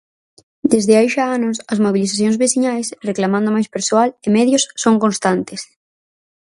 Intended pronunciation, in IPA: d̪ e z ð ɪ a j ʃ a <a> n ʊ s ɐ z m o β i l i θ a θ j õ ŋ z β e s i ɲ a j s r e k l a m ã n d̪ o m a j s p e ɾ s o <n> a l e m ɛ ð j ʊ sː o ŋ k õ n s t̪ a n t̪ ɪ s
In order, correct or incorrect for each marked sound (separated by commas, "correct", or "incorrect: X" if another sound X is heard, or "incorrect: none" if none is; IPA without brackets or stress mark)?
correct, incorrect: none